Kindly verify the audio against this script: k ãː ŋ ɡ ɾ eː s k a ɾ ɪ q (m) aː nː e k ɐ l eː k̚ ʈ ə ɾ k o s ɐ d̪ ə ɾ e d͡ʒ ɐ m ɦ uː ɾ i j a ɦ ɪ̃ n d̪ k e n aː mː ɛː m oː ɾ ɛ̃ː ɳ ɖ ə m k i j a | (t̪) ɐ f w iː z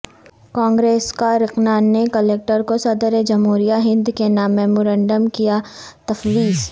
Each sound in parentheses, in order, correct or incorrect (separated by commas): incorrect, correct